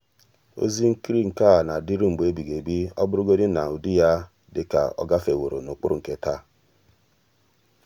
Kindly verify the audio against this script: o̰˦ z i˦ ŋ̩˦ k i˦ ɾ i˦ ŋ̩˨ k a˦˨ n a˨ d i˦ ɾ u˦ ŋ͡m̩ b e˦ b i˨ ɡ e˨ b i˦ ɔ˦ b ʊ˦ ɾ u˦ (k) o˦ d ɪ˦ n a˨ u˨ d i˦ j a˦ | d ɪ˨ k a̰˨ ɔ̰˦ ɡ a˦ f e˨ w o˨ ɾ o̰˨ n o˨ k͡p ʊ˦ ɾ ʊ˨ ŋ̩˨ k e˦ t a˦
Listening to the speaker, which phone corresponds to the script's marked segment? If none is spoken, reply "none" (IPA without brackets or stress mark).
ɡ